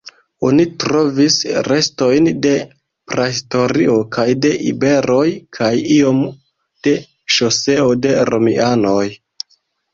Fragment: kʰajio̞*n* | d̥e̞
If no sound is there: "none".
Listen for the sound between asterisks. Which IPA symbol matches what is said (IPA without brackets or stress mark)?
m